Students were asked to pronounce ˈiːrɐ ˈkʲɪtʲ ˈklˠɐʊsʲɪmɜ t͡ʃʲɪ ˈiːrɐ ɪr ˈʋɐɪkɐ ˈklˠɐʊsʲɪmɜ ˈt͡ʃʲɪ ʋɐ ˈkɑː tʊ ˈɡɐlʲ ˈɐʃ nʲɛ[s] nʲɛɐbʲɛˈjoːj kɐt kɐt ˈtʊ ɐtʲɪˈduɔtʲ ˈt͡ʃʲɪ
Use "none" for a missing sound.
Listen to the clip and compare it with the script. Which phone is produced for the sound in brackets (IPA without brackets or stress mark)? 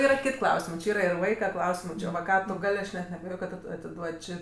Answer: t